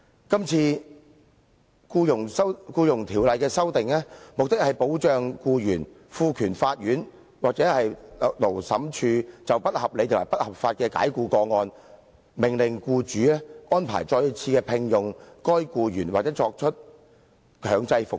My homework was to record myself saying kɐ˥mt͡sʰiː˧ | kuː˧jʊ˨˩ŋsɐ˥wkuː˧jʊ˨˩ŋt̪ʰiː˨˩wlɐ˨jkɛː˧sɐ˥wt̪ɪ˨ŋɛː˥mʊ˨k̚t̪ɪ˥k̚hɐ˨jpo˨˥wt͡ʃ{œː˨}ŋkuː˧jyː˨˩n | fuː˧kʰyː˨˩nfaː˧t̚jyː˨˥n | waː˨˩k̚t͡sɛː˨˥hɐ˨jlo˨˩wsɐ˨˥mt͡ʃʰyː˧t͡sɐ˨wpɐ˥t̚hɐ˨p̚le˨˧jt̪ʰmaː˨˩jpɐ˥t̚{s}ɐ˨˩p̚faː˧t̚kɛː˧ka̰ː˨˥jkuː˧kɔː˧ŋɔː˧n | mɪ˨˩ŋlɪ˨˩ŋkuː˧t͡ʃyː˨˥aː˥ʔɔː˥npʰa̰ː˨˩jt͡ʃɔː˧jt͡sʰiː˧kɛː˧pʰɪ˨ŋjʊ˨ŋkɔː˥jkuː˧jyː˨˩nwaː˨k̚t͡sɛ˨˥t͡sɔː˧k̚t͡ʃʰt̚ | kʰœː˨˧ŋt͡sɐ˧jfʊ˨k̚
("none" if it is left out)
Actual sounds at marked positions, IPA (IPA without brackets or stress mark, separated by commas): œː˨, h